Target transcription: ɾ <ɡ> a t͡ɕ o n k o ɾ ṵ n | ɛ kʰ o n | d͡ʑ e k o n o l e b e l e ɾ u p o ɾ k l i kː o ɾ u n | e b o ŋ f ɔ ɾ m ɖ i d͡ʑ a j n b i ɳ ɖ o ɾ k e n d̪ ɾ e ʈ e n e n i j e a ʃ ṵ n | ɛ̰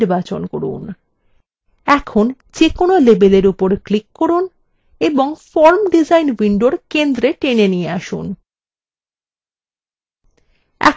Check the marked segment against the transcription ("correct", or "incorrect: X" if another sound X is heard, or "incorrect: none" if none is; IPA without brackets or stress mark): incorrect: b